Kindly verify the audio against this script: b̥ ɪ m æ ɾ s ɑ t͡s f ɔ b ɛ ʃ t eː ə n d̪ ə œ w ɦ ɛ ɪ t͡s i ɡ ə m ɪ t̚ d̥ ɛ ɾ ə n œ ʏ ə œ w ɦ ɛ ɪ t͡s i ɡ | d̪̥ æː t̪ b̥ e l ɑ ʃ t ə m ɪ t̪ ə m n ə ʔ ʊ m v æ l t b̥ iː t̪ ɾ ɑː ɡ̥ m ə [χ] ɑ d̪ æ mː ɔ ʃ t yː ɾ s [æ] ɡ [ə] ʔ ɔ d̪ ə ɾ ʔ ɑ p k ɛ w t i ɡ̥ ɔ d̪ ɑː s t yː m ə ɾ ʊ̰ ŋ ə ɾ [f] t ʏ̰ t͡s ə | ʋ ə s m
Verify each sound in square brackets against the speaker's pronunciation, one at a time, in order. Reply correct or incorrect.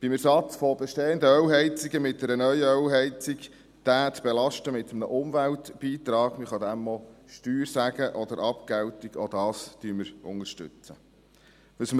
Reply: correct, correct, correct, incorrect

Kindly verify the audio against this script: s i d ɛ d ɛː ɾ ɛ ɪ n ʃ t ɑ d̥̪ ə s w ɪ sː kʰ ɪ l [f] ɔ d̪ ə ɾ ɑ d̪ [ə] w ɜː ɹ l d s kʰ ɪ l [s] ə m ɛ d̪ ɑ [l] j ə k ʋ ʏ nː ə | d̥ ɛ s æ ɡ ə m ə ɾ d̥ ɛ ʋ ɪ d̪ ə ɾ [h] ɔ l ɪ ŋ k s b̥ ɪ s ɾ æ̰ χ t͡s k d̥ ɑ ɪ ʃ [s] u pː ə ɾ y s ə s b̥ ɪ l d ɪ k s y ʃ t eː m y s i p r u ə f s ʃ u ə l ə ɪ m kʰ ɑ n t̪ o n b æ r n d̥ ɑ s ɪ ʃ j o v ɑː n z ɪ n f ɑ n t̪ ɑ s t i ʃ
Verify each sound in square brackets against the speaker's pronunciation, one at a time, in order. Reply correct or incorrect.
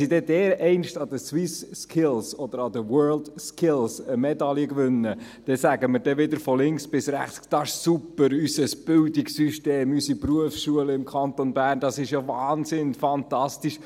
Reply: incorrect, correct, correct, correct, incorrect, correct

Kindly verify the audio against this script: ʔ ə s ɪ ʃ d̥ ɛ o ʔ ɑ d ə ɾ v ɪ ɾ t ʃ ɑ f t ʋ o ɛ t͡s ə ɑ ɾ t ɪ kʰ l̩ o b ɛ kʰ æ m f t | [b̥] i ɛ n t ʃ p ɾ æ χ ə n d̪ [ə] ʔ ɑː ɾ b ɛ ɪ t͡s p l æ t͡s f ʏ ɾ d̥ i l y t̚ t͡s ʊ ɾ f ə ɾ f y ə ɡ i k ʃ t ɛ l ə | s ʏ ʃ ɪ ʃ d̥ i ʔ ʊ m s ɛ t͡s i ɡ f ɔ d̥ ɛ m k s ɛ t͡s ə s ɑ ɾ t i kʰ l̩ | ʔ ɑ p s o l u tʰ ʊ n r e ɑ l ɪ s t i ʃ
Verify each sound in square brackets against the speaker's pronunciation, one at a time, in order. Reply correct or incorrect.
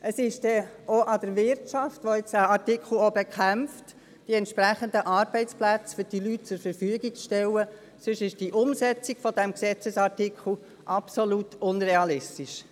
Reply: incorrect, correct

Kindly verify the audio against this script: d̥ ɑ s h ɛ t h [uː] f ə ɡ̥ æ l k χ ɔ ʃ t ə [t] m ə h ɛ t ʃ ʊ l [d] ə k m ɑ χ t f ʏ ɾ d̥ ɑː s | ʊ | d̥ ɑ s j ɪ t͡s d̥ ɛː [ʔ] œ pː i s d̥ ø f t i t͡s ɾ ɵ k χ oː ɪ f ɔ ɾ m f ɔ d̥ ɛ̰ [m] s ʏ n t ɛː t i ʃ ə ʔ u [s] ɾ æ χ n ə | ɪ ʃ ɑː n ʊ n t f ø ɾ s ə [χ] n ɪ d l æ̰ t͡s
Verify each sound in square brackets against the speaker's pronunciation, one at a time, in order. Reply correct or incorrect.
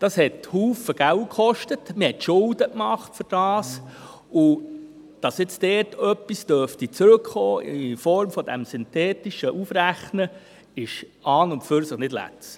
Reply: correct, correct, correct, incorrect, correct, incorrect, correct

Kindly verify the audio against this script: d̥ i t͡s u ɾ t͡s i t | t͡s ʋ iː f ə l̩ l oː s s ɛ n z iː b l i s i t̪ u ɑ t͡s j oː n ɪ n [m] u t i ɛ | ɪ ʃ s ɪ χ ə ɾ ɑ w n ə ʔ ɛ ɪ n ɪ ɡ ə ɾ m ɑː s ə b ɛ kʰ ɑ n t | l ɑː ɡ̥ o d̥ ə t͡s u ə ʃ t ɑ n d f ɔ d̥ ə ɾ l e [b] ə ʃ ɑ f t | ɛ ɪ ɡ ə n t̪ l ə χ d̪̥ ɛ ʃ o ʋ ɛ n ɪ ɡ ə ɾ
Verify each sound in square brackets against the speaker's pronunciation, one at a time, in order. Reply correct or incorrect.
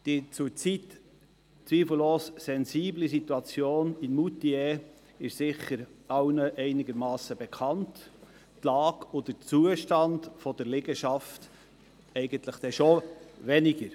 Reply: correct, incorrect

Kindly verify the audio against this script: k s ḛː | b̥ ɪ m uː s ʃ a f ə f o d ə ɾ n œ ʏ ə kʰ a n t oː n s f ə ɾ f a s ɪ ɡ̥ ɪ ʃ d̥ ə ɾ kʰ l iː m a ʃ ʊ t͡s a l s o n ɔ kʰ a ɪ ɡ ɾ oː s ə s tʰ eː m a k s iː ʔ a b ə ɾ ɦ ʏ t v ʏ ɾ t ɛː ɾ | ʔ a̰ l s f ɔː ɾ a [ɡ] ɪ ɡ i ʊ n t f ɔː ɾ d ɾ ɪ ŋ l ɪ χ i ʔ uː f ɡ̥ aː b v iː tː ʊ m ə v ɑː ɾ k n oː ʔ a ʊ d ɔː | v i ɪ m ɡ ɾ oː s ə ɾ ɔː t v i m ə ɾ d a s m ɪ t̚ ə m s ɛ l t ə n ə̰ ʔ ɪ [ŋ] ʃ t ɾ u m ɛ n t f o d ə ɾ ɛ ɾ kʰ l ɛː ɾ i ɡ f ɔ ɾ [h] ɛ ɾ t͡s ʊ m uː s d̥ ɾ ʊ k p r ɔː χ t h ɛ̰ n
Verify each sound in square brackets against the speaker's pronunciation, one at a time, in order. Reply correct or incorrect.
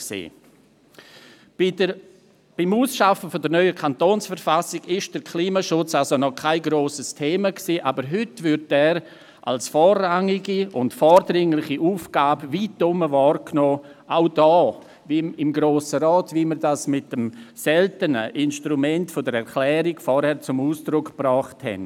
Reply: incorrect, incorrect, correct

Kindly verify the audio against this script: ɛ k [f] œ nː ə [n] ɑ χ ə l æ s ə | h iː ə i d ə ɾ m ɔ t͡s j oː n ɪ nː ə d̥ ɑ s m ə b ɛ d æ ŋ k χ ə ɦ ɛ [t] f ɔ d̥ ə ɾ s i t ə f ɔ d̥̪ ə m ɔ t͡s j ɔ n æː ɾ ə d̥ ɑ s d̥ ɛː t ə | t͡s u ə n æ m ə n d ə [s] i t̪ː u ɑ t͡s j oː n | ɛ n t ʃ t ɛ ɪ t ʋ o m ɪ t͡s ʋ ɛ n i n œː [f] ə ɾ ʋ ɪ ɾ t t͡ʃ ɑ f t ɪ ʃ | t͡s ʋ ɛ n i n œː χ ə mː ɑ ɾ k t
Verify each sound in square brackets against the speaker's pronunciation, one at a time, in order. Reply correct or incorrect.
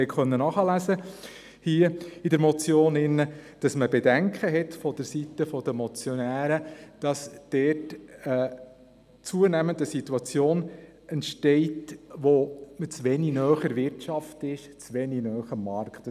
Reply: incorrect, correct, correct, correct, incorrect

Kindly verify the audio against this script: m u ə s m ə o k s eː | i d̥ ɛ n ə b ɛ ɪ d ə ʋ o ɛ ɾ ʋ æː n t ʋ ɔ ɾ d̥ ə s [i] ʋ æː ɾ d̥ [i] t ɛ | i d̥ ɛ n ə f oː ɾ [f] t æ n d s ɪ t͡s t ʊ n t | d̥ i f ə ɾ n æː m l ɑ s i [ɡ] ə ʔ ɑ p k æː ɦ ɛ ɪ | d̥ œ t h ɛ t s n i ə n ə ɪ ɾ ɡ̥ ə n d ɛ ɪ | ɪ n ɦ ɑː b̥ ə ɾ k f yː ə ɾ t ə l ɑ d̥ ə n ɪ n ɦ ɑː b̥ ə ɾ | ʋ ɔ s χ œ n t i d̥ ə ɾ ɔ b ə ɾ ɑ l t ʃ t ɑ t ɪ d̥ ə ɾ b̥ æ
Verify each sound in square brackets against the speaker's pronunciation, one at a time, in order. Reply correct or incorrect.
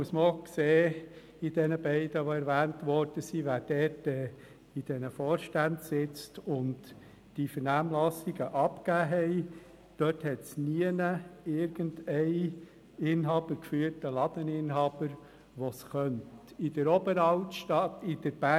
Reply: correct, incorrect, incorrect, correct

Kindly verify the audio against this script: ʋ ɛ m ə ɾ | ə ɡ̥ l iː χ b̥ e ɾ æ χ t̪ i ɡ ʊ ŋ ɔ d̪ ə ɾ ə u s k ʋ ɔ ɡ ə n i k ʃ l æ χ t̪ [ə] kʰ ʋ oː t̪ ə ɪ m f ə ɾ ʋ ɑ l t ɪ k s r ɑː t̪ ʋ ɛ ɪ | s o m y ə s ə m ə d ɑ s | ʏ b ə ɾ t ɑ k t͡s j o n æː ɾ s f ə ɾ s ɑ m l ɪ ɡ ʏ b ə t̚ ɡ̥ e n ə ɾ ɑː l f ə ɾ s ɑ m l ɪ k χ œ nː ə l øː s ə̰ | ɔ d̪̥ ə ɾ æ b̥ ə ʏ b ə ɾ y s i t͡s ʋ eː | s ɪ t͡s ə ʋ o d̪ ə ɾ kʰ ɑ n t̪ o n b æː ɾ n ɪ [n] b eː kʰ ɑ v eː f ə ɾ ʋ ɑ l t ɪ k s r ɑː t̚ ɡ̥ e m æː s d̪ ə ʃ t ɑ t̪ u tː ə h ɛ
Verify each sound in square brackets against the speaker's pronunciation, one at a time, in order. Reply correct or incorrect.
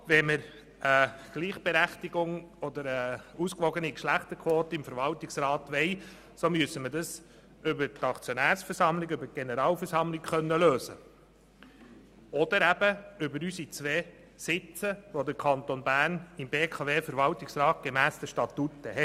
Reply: correct, incorrect

